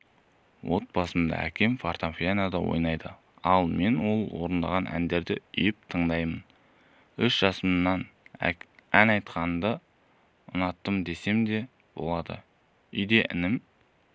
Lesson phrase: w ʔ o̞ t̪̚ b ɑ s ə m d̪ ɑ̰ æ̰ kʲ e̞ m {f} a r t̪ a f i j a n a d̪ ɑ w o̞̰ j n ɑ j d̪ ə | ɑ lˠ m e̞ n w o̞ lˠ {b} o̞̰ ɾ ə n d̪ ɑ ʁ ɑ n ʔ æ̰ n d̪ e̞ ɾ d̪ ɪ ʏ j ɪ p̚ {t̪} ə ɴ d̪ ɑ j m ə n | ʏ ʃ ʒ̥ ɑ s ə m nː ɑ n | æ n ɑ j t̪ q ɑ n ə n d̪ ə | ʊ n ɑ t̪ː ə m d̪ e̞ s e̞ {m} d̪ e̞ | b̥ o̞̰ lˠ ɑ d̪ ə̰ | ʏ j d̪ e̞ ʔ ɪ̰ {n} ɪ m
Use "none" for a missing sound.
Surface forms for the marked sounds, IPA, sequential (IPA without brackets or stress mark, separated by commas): f, w, t̪ʰ, m, n